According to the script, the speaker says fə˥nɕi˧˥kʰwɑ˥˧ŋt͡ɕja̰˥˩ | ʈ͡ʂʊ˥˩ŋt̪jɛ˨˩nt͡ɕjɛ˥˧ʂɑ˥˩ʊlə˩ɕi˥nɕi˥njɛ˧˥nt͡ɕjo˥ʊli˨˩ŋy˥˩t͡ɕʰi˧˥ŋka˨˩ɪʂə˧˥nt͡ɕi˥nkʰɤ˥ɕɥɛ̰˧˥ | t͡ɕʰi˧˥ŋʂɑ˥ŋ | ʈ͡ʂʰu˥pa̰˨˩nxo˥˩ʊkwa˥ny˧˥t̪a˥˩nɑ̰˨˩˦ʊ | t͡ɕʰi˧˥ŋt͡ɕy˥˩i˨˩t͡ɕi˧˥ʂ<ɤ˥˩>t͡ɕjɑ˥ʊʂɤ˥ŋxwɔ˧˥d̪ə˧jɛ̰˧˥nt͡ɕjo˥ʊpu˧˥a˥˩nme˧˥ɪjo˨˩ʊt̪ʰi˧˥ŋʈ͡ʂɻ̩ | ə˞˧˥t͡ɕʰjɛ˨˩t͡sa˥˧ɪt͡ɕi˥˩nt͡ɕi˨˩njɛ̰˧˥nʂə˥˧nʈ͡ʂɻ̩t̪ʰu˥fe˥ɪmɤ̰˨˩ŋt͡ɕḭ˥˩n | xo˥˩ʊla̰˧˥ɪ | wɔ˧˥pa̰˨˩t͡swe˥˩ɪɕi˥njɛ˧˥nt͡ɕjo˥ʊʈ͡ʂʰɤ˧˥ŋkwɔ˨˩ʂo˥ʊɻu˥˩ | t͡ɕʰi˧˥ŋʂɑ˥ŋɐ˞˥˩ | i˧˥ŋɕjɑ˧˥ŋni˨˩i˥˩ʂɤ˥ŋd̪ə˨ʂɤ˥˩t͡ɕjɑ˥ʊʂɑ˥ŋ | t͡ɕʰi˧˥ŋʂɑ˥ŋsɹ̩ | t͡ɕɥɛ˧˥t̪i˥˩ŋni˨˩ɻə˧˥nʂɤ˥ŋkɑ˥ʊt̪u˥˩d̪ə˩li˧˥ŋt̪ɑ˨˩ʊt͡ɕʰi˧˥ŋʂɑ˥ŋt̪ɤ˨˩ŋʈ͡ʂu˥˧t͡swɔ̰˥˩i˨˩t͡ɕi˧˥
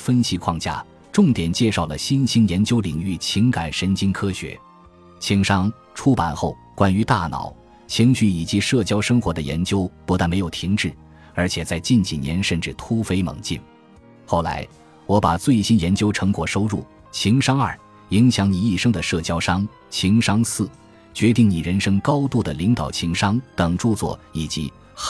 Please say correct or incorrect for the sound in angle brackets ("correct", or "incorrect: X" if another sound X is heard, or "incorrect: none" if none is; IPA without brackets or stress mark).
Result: correct